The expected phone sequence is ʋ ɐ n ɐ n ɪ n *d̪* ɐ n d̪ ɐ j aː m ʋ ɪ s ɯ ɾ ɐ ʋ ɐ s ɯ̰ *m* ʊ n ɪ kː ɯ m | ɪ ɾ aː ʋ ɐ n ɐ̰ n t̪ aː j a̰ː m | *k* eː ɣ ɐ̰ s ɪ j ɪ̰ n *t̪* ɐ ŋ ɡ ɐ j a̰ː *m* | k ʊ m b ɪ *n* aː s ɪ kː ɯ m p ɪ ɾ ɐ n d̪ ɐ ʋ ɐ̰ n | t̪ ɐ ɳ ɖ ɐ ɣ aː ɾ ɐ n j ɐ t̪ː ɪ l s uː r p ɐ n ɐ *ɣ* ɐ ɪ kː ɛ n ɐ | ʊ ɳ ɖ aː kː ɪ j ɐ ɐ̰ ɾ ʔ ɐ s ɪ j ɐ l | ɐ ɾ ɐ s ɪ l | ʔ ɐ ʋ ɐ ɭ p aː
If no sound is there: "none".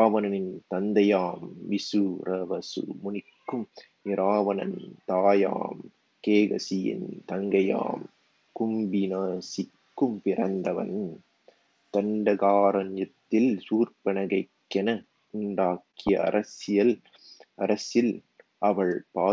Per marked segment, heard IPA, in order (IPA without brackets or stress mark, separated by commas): t̪, m, k, t̪, m, n, ɣ